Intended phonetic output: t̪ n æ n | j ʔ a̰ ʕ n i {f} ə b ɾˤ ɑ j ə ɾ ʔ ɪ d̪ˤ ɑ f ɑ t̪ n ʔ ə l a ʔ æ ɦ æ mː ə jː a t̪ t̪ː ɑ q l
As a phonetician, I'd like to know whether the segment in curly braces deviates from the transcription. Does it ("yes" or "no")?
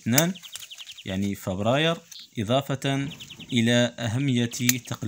no